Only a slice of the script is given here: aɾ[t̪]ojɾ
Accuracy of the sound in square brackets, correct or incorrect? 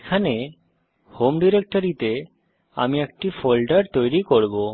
correct